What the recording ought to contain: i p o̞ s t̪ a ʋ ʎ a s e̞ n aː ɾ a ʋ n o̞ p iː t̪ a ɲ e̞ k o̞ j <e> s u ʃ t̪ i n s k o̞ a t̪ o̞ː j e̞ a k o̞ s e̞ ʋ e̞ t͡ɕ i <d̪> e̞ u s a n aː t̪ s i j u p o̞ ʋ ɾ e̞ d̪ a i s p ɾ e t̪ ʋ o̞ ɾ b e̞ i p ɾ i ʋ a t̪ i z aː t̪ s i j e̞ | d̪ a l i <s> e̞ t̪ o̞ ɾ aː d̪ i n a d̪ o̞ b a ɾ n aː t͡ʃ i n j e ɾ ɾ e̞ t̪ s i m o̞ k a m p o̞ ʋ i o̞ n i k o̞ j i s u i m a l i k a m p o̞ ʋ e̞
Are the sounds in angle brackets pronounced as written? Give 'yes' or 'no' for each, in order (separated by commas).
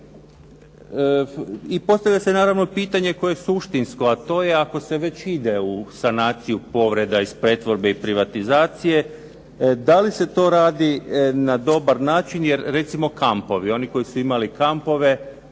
yes, yes, yes